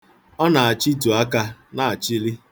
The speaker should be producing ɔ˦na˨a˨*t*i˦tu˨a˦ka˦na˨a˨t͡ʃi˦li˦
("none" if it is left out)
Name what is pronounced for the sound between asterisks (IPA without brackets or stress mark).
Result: t͡ʃ